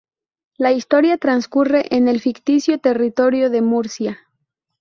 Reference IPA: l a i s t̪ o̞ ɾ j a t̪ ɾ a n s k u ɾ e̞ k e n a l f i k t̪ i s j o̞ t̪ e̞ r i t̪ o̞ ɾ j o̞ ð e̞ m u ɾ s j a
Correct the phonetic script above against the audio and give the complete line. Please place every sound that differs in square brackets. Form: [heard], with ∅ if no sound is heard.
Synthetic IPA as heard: l a i s t̪ o̞ ɾ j a t̪ ɾ a n s k u [r] e̞ [ʔ] e n [e] l f i k t̪ i s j o̞ t̪ e̞ r i t̪ o̞ ɾ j o̞ ð e̞ m u ɾ s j a